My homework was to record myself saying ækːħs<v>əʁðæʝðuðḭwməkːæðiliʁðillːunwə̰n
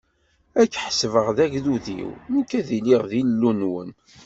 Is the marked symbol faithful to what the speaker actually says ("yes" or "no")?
yes